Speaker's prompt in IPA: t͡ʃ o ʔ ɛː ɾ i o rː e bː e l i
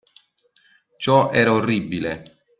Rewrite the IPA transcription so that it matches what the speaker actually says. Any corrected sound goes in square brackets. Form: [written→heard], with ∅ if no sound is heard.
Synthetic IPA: t͡ʃ [o→ɔ] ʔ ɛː ɾ [i→a] o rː [e→i] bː [e→i] l [i→e]